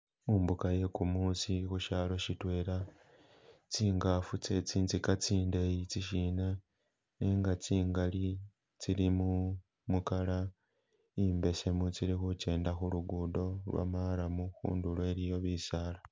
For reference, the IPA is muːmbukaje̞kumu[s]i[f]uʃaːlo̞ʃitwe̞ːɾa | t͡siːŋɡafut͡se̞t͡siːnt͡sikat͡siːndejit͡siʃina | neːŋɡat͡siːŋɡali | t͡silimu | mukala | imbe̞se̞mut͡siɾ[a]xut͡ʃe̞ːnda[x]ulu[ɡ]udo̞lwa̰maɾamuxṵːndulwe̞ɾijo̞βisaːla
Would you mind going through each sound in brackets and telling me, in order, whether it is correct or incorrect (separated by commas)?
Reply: correct, incorrect, incorrect, correct, correct